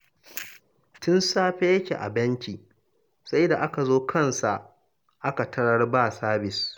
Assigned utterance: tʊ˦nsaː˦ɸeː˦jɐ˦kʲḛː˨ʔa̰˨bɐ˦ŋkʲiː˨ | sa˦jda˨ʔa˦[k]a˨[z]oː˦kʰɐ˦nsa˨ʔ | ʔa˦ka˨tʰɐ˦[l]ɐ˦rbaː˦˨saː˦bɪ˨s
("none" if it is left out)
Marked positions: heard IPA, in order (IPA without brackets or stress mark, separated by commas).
k, z, ɽ